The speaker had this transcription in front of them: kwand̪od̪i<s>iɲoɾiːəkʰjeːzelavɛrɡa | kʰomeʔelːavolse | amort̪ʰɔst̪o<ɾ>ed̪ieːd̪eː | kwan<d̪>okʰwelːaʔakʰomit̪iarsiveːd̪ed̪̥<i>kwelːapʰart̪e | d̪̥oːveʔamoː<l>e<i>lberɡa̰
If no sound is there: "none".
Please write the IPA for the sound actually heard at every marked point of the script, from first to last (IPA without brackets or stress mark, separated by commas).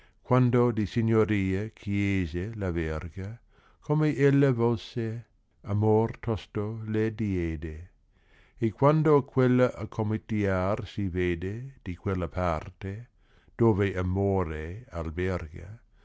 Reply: s, l, d̪, i, ɾ, a